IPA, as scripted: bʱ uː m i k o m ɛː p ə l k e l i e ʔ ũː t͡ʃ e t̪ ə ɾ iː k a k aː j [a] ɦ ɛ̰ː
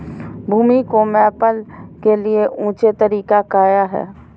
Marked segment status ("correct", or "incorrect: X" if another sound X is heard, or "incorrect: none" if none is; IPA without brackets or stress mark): correct